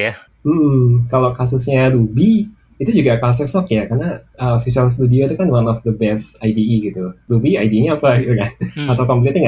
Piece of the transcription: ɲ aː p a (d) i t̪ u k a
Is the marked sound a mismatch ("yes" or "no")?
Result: yes